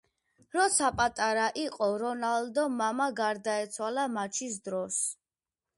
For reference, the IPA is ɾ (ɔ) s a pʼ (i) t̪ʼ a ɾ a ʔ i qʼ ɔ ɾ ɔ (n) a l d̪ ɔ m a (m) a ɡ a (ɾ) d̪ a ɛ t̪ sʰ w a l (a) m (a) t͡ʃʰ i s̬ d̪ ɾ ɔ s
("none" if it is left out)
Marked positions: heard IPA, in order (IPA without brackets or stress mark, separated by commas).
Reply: ɔ, a, n, m, ɾ, a, a